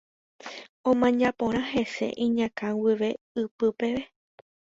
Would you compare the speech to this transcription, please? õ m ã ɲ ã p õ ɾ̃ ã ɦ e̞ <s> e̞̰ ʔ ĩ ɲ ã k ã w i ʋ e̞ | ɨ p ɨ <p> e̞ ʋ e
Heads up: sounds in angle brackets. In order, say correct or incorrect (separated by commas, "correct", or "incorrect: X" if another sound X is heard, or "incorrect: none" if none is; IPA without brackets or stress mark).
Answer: correct, correct